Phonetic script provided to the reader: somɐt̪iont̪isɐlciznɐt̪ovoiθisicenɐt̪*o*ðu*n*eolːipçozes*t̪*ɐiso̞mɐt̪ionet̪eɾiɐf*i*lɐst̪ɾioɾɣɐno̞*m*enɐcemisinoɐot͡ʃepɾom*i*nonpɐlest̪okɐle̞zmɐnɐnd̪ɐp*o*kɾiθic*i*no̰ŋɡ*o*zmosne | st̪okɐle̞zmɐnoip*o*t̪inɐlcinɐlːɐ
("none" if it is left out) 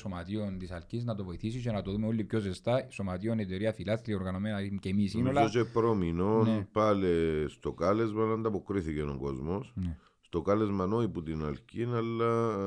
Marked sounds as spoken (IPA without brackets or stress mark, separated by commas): o, m, t̪, i, m, i, o, e, o, u